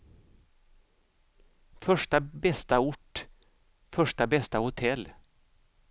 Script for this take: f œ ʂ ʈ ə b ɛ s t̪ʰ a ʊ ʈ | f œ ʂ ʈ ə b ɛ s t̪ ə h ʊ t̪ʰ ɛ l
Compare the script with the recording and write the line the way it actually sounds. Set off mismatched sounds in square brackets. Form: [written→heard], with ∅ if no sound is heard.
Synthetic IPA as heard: f œ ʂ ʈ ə b ɛ s [t̪ʰ→t̪] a ʊ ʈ | f œ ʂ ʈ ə b ɛ s t̪ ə h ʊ t̪ʰ ɛ l